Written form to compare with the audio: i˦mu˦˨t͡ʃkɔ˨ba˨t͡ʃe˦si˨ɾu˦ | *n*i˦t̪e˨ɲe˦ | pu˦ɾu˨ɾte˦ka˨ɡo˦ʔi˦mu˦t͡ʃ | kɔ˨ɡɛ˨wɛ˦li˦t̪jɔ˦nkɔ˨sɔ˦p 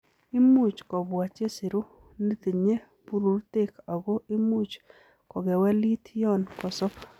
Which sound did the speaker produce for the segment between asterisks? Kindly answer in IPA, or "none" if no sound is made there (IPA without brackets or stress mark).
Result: n